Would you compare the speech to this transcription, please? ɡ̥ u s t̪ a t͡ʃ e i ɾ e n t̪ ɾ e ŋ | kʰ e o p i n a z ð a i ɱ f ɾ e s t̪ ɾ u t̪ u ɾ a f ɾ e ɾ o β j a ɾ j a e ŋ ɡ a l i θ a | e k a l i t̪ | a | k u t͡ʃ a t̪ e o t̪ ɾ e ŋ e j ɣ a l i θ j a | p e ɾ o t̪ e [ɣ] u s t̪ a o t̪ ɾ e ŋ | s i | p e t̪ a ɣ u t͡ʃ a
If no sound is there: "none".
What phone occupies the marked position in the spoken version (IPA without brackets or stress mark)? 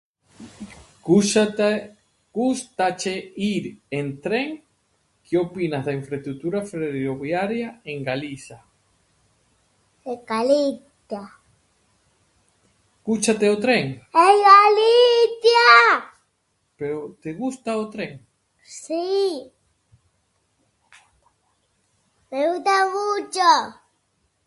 ɣ